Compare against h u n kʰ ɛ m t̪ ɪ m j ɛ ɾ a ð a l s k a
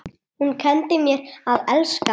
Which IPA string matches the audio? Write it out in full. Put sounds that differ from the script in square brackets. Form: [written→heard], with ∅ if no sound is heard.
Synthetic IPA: h u n kʰ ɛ [m→n] t̪ ɪ m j ɛ ɾ a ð [a→ɛ] l s k a

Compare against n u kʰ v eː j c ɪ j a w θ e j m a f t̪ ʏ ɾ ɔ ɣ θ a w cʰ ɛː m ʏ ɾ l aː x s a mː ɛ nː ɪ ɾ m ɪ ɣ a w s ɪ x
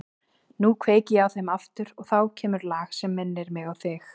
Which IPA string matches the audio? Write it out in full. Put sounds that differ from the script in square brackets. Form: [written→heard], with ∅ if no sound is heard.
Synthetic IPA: n u kʰ v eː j c ɪ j a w θ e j m a f t̪ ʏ ɾ ɔ ɣ θ a w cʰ ɛː m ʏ ɾ l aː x s [a→ɛ] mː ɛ nː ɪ ɾ m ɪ ɣ a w [s→θ] ɪ x

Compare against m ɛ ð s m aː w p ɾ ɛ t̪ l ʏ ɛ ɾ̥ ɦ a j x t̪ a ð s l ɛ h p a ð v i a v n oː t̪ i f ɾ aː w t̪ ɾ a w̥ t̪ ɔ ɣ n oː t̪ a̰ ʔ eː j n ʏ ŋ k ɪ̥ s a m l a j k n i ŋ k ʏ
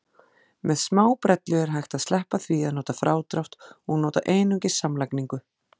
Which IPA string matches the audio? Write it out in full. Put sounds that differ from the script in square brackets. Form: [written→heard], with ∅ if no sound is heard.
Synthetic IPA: m ɛ ð s m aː w p ɾ ɛ t̪ l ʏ ɛ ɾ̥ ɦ a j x t̪ a ð s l ɛ h p a [ð→θ] v i a [v→ð] n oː t̪ [i→a] f ɾ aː w t̪ ɾ a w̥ t̪ ɔ ɣ n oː t̪ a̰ ʔ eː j n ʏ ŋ [k→c] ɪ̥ s a m l a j k n i ŋ k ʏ

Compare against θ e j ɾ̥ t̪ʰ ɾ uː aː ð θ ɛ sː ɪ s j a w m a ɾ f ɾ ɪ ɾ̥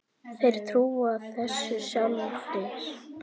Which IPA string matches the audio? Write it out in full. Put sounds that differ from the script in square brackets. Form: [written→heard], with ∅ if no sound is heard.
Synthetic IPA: θ e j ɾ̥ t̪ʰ ɾ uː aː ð θ ɛ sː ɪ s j a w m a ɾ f ɾ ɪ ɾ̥

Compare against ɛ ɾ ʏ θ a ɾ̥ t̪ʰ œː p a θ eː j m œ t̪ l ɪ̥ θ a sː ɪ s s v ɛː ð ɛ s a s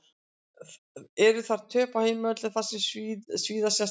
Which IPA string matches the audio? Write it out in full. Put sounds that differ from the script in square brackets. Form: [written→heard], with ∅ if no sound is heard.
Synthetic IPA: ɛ ɾ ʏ θ a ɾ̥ t̪ʰ œː p a [θ→h] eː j m œ t̪ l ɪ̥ θ a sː ɪ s s v [ɛː→iː] ð [ɛ→a] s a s

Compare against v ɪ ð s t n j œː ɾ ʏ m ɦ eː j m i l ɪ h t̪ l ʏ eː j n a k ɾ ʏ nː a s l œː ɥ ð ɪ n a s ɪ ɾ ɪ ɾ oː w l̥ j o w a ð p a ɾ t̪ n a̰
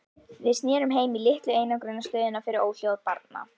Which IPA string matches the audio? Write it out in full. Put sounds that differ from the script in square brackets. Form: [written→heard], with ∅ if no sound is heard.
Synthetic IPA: v ɪ ð s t n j [œː→ɛː] ɾ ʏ m ɦ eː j m i l ɪ h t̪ l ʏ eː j n a k ɾ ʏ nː a s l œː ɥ ð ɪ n a [s→f] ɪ ɾ ɪ ɾ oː w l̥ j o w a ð p a ɾ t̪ n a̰

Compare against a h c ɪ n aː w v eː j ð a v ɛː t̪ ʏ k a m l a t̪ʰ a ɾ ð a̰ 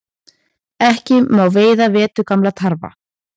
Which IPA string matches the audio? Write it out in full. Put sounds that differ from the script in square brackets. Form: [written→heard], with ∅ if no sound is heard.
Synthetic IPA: [a→ɛ] h c ɪ [n→m] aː w v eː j ð a v ɛː t̪ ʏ k a m l a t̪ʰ a ɾ [ð→v] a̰

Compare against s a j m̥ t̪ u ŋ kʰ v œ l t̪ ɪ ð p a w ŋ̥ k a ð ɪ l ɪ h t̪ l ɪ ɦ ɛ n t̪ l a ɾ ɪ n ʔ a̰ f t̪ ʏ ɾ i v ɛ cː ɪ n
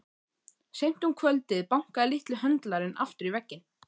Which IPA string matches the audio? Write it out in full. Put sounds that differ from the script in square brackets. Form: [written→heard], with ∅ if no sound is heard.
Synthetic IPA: s [a→e] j m̥ t̪ u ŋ kʰ v œ l t̪ ɪ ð p a w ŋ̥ k a ð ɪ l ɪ h t̪ l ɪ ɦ [ɛ→œ] n t̪ l a ɾ ɪ n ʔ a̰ f t̪ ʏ ɾ i v ɛ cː ɪ n

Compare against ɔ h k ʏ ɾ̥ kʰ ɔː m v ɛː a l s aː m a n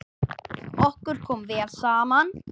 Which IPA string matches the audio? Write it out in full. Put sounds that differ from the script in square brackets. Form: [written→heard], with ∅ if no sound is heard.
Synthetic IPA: ɔ h k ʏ ɾ̥ kʰ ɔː m v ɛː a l s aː m a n

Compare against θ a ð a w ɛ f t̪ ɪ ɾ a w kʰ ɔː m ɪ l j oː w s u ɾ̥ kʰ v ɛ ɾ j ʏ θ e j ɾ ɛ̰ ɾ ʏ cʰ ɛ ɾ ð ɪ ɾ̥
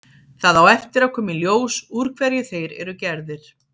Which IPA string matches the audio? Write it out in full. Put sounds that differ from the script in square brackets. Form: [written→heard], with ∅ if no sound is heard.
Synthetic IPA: θ a ð a w ɛ f t̪ ɪ ɾ a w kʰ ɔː m ɪ l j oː w s u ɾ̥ kʰ v ɛ ɾ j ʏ θ e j ɾ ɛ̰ ɾ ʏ [cʰ→c] ɛ ɾ ð ɪ ɾ̥

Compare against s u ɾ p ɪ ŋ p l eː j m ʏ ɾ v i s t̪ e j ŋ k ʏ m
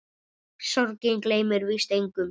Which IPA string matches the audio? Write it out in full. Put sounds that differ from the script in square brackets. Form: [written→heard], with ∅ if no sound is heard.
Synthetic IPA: s [u→ɔ] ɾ [p→c] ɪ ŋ [p→k] l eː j m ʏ ɾ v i s t̪ e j ŋ k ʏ m

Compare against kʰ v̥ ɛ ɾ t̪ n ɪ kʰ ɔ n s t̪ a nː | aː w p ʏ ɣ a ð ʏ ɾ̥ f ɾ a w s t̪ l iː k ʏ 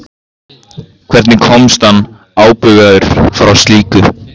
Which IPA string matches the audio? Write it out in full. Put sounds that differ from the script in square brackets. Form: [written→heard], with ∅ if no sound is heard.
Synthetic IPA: kʰ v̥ ɛ ɾ t̪ n ɪ kʰ ɔ [n→m] s t̪ a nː | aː w p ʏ ɣ a ð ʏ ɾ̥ f ɾ a w s t̪ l iː k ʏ

